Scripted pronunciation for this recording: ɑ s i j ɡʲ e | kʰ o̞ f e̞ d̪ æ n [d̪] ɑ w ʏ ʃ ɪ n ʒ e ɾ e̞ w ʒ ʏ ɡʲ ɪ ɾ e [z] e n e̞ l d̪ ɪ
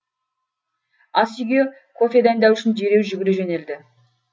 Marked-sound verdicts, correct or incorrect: correct, incorrect

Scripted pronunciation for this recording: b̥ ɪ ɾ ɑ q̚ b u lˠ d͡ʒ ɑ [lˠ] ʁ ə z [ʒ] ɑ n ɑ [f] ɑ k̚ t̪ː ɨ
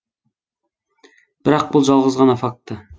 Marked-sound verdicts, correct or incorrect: correct, incorrect, correct

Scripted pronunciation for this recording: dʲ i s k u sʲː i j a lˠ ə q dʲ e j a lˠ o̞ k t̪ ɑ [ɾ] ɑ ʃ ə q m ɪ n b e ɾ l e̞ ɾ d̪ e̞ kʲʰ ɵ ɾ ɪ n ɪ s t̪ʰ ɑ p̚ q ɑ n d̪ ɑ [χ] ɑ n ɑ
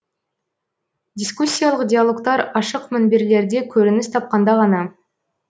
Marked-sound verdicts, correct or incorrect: correct, incorrect

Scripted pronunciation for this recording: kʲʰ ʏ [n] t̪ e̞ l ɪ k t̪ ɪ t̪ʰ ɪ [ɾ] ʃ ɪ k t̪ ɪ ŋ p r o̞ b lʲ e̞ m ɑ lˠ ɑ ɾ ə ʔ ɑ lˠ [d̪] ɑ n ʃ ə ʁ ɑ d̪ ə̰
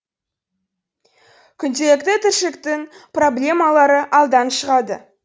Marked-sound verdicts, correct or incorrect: correct, correct, correct

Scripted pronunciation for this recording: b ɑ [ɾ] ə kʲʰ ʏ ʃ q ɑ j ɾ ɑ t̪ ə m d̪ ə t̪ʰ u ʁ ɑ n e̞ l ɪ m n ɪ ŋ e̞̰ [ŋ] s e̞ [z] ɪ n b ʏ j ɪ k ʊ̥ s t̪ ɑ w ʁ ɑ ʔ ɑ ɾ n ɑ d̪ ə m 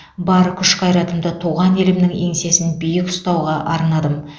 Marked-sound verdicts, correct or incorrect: correct, correct, incorrect

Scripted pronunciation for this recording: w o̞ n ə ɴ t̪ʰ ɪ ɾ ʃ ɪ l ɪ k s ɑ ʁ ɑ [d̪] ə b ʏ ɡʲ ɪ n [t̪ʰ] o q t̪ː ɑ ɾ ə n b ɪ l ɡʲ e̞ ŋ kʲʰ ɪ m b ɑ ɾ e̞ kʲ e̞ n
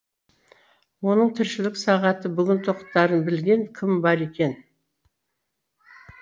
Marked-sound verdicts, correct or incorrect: incorrect, correct

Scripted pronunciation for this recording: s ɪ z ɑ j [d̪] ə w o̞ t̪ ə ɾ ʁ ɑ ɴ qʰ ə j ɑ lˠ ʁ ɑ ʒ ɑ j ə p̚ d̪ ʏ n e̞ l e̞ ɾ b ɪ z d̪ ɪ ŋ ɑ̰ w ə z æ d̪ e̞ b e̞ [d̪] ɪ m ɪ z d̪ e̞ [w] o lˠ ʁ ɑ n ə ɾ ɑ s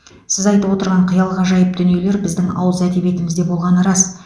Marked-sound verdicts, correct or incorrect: incorrect, incorrect, incorrect

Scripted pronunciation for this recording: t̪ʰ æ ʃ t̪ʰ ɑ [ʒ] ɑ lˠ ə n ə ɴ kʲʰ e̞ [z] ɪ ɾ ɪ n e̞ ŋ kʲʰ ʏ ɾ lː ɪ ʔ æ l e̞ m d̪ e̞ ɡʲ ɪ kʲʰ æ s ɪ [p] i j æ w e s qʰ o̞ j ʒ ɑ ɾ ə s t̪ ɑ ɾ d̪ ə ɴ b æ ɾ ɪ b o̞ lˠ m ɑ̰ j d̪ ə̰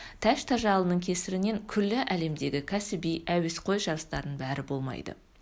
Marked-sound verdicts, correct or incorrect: correct, incorrect, incorrect

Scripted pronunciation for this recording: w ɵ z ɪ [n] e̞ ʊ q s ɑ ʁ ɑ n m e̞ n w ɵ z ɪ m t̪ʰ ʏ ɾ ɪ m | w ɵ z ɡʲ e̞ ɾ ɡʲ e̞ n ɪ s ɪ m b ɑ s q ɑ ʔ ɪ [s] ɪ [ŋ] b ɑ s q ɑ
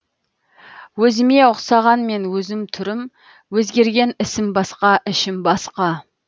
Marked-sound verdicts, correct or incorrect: incorrect, incorrect, incorrect

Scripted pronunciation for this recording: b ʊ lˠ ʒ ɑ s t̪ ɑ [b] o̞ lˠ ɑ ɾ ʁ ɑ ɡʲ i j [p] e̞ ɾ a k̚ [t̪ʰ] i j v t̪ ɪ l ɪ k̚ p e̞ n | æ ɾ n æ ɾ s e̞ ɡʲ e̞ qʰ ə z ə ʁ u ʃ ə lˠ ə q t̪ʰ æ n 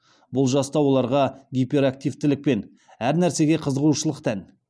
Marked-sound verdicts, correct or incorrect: incorrect, correct, incorrect

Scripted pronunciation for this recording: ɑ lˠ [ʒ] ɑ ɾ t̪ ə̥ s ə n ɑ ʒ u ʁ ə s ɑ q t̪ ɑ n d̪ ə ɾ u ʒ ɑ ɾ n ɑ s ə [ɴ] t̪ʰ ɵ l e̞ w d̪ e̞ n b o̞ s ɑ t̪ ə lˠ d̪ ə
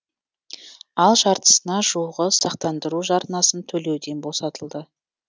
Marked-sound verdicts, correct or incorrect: correct, incorrect

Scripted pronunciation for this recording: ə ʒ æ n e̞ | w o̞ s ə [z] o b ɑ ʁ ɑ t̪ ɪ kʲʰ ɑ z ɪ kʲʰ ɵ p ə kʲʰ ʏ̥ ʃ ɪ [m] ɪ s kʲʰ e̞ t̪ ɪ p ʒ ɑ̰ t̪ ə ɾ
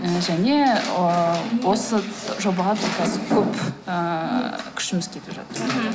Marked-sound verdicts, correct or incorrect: incorrect, correct

